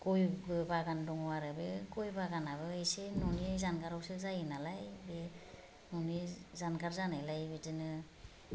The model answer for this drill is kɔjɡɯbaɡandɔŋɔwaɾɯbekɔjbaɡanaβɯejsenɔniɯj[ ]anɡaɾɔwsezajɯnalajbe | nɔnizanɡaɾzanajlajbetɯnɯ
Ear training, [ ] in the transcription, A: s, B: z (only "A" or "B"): B